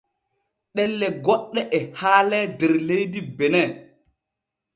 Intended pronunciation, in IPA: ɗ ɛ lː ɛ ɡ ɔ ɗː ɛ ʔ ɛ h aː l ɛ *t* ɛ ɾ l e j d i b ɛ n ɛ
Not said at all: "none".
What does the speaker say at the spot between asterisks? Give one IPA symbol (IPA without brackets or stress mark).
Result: d